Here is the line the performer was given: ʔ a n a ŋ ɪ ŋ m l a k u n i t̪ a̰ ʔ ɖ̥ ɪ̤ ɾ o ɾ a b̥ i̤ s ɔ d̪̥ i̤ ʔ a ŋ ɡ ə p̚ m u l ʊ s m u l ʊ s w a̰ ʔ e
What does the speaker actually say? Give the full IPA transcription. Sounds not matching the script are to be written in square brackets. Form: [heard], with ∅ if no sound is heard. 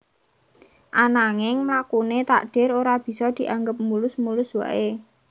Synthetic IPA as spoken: ʔ a n a ŋ ɪ ŋ m l a k u n [e] t̪ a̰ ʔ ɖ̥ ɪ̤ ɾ o ɾ a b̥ i̤ s ɔ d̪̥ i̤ ʔ a ŋ ɡ ə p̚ m u l ʊ s m u l ʊ s w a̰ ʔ e